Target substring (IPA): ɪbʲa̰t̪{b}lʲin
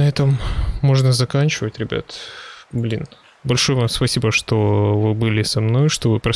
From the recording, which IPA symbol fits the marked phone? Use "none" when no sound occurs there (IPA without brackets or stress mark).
b